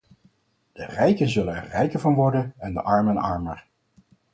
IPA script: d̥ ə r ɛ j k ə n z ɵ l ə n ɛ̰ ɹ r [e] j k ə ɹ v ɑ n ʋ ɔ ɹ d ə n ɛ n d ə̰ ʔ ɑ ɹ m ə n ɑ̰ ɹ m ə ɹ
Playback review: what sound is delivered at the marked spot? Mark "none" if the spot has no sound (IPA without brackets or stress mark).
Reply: ɛ